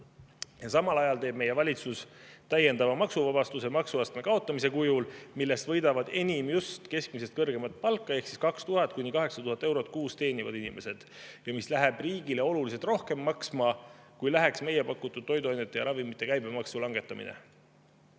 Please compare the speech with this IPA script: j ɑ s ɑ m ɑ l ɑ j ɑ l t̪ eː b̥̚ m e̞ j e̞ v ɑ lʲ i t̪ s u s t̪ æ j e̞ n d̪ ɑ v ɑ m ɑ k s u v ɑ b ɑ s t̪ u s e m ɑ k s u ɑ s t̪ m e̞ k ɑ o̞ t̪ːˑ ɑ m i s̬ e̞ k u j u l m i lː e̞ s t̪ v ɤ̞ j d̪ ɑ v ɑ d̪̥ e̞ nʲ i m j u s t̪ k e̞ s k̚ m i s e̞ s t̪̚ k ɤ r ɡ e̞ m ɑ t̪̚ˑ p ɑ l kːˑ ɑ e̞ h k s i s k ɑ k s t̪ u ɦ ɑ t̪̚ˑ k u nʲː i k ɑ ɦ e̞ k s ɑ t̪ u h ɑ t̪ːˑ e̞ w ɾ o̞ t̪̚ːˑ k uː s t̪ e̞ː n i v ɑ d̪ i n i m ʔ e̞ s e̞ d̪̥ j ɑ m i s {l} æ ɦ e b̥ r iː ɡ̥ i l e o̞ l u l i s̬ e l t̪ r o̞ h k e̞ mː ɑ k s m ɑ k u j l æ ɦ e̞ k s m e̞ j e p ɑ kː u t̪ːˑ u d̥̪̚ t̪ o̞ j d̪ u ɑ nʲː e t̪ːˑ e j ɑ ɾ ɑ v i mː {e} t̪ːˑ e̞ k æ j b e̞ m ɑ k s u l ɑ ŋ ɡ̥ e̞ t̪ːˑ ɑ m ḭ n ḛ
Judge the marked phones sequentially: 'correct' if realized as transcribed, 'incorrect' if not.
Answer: correct, incorrect

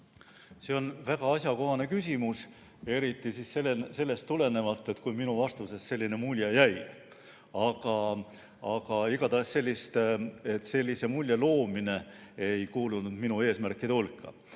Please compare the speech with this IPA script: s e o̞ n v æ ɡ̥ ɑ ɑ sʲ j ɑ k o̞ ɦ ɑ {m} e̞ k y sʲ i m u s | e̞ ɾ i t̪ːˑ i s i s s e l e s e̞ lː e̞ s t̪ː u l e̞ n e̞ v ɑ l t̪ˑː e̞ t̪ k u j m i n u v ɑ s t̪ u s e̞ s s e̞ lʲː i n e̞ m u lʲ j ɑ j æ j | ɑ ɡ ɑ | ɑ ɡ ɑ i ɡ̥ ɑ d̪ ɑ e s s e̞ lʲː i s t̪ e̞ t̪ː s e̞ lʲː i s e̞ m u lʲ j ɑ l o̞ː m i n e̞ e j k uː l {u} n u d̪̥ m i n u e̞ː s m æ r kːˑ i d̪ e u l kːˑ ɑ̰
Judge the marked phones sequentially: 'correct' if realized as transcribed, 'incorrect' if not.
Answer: incorrect, correct

